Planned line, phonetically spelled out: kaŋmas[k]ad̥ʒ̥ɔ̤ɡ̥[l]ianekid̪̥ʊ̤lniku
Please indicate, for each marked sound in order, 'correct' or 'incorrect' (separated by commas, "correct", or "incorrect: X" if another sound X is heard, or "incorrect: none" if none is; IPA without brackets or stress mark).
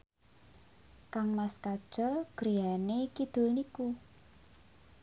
correct, incorrect: ɾ